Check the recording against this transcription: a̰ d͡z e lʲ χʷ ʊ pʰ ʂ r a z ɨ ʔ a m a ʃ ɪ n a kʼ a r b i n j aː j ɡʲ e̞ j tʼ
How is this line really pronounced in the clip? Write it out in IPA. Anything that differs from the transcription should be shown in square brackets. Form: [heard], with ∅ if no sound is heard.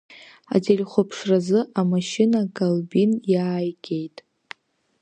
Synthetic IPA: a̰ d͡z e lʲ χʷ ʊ pʰ ʂ r a z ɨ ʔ a m a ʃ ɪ n a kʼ a [l] b i n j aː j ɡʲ e̞ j tʼ